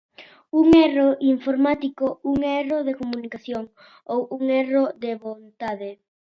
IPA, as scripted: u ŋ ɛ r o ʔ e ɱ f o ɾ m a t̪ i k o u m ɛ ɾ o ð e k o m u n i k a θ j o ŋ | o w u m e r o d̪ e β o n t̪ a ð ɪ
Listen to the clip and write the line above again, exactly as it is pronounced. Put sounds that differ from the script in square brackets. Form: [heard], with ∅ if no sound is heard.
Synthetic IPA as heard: u ŋ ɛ r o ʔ [i] ɱ f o ɾ m a t̪ i k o u [ŋ] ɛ [r] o ð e k o m u n i k a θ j o ŋ | o w u [ŋ] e r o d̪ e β o n t̪ a ð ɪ